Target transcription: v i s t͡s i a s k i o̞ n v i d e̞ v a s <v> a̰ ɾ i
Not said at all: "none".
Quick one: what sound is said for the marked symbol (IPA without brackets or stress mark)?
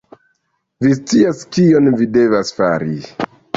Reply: f